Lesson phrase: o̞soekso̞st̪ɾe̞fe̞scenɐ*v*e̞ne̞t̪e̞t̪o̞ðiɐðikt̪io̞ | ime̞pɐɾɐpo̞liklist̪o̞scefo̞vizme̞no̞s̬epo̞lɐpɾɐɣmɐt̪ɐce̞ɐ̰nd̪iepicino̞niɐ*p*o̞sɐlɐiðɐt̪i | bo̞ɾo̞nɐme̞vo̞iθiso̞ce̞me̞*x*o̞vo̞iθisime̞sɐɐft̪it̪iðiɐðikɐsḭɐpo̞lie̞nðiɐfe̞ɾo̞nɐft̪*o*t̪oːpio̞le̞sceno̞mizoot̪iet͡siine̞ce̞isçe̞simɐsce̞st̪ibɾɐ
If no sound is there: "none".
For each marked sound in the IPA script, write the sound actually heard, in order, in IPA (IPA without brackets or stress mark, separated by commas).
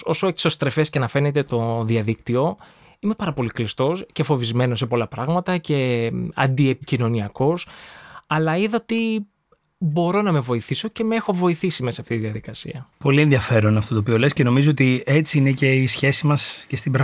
f, k, x, o